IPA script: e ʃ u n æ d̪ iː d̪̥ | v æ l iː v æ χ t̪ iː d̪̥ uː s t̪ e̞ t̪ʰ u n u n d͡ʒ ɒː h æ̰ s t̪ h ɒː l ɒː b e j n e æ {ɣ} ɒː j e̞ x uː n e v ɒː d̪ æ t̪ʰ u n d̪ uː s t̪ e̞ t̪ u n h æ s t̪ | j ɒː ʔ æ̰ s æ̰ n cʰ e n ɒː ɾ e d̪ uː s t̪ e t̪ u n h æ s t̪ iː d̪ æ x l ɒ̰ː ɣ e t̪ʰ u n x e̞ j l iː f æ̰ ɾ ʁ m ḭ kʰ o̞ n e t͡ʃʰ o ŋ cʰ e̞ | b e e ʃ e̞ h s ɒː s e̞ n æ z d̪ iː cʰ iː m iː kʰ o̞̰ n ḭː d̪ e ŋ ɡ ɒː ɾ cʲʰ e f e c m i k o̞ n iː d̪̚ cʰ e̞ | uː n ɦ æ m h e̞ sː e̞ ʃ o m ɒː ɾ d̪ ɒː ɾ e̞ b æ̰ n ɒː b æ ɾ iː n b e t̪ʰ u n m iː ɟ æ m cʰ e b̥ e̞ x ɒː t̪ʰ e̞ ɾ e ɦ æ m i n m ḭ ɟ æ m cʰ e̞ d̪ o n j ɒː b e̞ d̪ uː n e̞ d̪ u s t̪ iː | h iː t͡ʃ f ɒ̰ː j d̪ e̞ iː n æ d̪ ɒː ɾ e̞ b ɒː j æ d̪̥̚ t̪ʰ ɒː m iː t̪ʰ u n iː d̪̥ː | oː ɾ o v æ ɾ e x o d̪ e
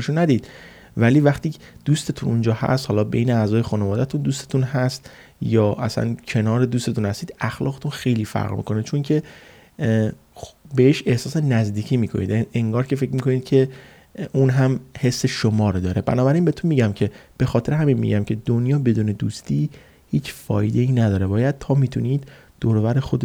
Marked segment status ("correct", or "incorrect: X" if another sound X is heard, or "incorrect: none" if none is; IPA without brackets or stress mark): incorrect: z